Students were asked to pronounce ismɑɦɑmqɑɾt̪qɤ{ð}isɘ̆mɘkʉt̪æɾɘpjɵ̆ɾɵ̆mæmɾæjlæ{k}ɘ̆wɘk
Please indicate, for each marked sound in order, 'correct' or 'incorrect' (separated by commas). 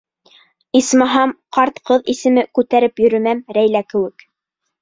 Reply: correct, correct